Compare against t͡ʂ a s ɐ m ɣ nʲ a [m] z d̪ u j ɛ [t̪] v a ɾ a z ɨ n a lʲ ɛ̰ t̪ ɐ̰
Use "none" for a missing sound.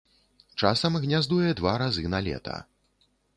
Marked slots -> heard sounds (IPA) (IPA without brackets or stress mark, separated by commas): none, d̪